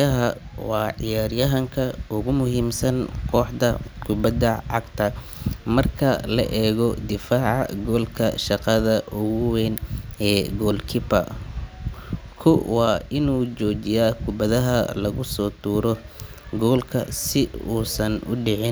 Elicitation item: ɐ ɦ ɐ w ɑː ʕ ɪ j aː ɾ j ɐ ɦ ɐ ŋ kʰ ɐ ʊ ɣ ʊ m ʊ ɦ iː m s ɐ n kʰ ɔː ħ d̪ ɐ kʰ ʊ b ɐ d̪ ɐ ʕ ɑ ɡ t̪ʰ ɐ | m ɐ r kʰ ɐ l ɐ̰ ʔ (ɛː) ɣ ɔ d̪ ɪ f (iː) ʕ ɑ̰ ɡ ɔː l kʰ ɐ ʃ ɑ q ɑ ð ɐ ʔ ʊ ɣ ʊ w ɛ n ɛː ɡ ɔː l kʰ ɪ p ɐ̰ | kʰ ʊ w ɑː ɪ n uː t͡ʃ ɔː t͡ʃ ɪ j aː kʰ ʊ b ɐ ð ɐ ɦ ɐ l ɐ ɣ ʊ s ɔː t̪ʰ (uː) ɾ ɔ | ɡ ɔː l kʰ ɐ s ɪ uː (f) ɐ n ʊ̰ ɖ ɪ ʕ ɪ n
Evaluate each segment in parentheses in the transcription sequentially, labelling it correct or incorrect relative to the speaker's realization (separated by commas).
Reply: correct, incorrect, correct, incorrect